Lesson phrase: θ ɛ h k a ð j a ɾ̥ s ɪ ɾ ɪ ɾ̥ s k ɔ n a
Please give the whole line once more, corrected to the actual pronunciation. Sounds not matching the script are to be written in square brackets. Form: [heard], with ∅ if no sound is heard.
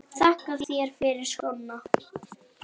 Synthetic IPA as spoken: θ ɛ h k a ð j [ɛ] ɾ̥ [f] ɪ ɾ ɪ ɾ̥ s k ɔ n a